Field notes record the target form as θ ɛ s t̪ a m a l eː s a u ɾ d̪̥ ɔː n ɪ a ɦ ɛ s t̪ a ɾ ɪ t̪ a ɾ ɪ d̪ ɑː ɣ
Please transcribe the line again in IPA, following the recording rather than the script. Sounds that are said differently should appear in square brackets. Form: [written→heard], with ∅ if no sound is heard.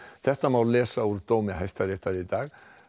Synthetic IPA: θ ɛ [s→h] t̪ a m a l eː s a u ɾ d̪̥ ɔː [n→m] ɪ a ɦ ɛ s t̪ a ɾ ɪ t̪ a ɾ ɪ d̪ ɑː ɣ